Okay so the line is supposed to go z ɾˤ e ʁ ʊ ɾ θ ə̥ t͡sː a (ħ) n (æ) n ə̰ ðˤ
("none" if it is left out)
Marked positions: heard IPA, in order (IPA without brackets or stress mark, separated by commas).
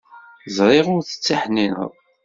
ħ, i